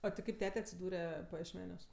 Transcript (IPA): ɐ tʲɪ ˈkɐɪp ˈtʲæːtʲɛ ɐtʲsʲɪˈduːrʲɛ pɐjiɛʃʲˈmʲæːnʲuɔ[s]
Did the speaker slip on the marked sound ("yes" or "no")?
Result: no